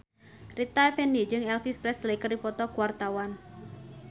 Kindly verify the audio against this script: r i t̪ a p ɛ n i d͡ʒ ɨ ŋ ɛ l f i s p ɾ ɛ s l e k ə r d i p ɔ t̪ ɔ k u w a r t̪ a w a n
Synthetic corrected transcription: r i t̪ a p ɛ n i d͡ʒ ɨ ŋ ɛ l f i s p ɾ ɛ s l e k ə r d i p ɔ t̪ ɔ k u w a r t̪ a w a n